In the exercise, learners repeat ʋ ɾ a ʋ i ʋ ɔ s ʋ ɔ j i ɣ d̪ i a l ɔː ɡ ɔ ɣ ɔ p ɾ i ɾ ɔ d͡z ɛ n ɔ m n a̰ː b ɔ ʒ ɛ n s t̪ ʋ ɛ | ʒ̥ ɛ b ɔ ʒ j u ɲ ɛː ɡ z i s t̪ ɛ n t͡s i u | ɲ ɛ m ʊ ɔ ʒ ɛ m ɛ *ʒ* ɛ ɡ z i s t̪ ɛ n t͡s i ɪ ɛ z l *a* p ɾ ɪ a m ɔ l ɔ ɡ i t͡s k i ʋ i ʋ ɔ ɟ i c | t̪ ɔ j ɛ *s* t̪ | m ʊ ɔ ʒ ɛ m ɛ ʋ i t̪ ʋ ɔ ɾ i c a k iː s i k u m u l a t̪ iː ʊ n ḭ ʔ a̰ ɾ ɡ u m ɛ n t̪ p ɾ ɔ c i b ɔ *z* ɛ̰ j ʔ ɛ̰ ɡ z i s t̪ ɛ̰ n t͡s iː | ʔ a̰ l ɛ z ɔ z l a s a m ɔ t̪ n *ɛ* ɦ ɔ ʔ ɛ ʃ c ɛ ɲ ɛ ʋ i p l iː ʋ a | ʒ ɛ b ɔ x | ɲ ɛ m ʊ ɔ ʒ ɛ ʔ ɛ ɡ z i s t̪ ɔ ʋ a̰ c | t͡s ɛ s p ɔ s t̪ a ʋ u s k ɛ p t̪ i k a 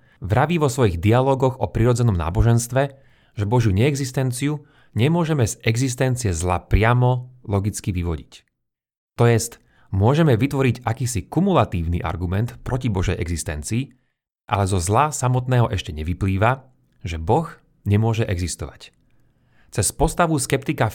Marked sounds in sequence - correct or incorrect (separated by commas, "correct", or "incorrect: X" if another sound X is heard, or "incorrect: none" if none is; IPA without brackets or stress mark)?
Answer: incorrect: z, correct, correct, incorrect: ʒ, incorrect: ɛː